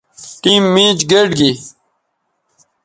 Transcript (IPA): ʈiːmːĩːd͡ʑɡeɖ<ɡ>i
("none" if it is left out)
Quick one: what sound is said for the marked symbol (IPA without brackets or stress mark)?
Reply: ɡ